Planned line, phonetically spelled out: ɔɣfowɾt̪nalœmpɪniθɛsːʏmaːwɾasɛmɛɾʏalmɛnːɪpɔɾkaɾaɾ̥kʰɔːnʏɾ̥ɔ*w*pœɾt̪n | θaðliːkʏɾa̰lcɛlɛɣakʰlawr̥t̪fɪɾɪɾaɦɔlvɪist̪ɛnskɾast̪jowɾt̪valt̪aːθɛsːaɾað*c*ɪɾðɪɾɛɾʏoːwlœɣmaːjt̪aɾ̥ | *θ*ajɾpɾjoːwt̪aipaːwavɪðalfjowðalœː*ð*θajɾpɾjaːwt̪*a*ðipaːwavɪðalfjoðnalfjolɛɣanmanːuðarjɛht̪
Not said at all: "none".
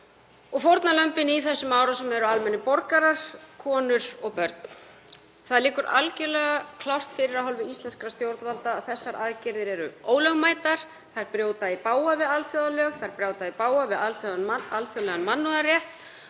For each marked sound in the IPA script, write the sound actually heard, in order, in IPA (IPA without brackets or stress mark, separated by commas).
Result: ɣ, c, θ, ɣ, a